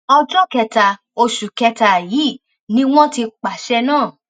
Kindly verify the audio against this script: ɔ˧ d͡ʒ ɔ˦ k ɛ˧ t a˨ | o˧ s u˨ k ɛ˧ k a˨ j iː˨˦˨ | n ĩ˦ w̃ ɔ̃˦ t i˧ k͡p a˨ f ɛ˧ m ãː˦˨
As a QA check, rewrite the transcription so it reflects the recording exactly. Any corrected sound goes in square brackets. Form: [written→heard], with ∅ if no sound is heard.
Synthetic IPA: ɔ˧ d͡ʒ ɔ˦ k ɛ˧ t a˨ | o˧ [s→ʃ] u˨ k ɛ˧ [k→t] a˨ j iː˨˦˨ | n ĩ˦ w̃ ɔ̃˦ t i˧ k͡p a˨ [f→ʃ] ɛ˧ [m→n] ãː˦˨